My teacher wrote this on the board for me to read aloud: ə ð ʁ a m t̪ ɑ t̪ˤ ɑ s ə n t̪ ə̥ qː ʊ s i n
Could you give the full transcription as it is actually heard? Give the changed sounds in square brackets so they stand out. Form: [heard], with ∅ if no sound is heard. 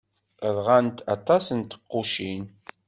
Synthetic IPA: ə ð ʁ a [n] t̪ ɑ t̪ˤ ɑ s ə n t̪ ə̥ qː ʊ [ʃ] i n